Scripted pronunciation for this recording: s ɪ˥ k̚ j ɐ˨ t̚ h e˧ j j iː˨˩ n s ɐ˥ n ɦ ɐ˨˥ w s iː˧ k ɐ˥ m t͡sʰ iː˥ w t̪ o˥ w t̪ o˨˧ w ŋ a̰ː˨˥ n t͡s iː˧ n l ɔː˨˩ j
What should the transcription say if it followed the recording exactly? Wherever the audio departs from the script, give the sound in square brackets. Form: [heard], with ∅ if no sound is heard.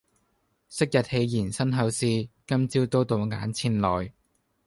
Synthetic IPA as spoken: s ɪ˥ k̚ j ɐ˨ t̚ h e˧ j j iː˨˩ n s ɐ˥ n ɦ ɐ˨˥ w s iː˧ k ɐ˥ m [t͡s] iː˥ w t̪ o˥ w t̪ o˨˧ w ŋ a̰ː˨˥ n [t͡sʰ] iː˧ n l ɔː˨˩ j